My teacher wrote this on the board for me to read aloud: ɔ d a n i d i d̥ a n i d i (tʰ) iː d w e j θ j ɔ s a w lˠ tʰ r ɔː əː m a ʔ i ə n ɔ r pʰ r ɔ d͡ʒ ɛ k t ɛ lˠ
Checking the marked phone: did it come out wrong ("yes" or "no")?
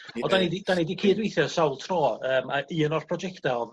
yes